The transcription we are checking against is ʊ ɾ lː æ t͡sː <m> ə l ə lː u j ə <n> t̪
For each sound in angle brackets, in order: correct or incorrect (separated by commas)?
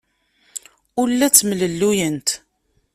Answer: correct, correct